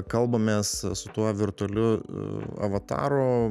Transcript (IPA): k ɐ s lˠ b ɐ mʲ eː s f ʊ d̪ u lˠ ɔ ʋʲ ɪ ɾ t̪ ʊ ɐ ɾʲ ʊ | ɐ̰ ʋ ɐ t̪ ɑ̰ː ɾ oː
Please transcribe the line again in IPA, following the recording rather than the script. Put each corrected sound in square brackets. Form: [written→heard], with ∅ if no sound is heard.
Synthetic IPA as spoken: k ɐ [s→∅] lˠ b ɐ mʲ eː s [f→s] ʊ [d̪→t̪] u [lˠ→∅] ɔ ʋʲ ɪ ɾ t̪ ʊ ɐ [ɾʲ→lʲ] ʊ | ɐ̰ ʋ ɐ t̪ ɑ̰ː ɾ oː